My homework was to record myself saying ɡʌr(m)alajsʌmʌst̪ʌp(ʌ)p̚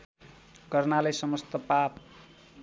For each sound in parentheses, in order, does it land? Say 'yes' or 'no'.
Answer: no, no

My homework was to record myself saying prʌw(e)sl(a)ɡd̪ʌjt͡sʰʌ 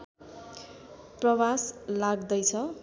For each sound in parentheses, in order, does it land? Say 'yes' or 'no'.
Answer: no, yes

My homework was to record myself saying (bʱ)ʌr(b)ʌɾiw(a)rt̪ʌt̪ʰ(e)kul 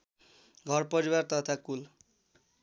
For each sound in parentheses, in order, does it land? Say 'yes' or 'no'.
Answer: no, no, yes, no

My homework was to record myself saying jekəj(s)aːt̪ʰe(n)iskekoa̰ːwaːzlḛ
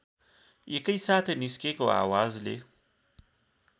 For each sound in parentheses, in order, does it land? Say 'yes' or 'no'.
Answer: yes, yes

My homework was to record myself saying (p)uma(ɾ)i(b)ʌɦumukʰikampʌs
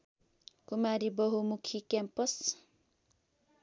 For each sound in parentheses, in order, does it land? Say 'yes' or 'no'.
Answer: no, yes, yes

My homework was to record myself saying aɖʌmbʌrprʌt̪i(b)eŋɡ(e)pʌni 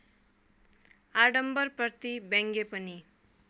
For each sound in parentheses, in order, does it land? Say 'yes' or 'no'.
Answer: yes, yes

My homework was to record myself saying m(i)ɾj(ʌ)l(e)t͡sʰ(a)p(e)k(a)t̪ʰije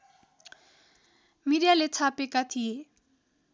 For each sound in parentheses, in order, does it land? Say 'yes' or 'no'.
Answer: yes, no, yes, yes, yes, yes

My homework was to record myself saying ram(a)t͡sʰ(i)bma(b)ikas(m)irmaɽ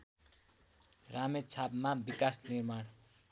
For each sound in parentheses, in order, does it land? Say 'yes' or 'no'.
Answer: no, no, yes, no

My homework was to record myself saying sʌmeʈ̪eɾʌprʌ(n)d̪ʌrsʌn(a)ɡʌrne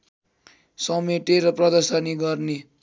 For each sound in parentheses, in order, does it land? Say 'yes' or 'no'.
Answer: no, no

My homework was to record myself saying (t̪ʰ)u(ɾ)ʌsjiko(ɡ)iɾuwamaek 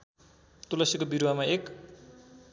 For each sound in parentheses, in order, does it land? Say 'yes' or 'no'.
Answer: no, no, no

